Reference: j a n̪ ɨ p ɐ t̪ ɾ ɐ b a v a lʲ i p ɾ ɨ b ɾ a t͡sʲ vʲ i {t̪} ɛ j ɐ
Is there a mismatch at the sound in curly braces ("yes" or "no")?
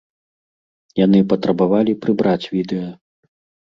yes